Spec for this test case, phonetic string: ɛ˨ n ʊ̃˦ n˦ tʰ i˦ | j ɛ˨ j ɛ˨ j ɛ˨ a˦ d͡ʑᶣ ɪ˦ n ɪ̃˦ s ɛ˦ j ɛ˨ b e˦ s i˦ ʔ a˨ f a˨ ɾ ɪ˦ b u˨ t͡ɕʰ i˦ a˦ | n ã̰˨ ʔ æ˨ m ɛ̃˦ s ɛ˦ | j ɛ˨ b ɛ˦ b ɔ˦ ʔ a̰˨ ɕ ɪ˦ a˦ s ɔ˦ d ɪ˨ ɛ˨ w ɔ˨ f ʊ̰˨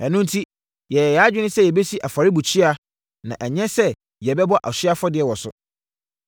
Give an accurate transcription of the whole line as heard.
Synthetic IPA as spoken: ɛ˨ n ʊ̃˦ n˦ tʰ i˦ | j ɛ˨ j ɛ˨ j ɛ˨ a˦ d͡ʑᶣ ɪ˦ n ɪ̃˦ s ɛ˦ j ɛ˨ b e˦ s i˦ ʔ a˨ f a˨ ɾ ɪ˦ b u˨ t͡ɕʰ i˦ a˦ | n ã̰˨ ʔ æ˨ ɲ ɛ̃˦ s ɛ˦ | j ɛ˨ b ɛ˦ b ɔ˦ ʔ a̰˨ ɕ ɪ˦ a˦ f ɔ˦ d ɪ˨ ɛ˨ w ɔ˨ s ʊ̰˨